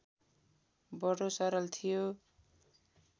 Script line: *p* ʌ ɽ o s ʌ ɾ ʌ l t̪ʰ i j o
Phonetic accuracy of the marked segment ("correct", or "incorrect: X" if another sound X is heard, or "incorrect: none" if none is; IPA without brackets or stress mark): incorrect: b